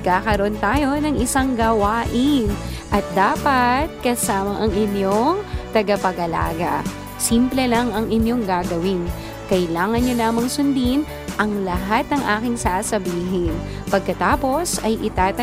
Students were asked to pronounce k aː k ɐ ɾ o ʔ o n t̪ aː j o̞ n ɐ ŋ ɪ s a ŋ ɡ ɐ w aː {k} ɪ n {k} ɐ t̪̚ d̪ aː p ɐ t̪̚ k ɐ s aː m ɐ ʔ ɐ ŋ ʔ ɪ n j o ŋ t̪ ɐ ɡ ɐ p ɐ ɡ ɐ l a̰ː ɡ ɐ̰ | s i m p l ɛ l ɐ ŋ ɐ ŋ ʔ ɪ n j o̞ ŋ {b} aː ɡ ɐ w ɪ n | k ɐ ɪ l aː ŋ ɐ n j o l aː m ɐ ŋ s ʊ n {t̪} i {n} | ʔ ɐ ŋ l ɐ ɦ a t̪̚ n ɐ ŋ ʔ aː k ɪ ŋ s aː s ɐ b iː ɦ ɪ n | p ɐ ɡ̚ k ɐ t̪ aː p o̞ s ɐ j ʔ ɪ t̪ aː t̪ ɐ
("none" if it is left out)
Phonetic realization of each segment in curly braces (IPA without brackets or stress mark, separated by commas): ʔ, ʔ, ɡ, d̪, n